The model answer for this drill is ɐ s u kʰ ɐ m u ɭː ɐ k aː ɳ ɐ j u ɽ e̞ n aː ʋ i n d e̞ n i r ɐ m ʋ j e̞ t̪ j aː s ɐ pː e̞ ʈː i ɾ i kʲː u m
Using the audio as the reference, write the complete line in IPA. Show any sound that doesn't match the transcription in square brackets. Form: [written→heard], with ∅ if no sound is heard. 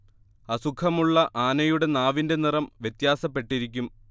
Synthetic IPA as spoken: ɐ s u kʰ ɐ m u ɭː ɐ [k→ʔ] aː [ɳ→n] ɐ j u ɽ e̞ n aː ʋ i n d e̞ n i r ɐ m ʋ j e̞ t̪ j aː s ɐ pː e̞ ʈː i ɾ i kʲː u m